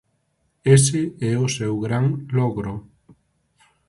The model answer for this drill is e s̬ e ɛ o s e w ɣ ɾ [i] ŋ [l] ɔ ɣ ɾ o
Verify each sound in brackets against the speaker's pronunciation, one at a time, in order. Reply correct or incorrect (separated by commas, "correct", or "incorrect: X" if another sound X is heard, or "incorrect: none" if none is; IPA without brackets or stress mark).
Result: incorrect: a, correct